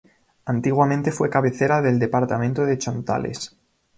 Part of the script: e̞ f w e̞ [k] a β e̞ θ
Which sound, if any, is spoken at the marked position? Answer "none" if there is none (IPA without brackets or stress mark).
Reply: k